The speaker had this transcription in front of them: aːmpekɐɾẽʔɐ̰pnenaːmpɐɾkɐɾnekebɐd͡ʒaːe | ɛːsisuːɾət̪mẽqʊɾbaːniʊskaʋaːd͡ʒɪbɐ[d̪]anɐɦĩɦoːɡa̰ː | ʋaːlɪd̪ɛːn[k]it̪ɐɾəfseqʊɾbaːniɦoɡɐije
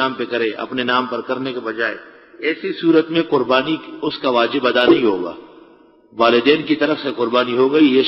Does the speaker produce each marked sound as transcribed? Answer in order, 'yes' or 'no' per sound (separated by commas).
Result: yes, yes